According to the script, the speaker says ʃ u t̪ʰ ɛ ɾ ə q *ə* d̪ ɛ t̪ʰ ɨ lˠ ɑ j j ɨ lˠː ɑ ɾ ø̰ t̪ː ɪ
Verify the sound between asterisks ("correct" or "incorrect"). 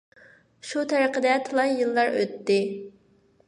correct